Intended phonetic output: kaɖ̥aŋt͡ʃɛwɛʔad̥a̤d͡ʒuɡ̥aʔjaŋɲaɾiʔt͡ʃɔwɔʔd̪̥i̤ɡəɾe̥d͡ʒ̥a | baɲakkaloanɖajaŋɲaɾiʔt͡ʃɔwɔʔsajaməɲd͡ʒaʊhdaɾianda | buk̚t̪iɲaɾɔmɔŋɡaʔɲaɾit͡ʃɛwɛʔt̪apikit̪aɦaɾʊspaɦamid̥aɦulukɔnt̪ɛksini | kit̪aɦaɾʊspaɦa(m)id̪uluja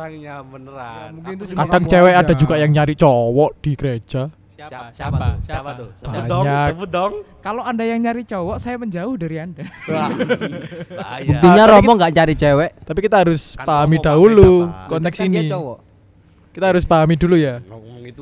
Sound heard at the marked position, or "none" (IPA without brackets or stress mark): m